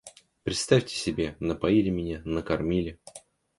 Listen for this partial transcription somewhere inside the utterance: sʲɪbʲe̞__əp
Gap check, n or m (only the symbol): n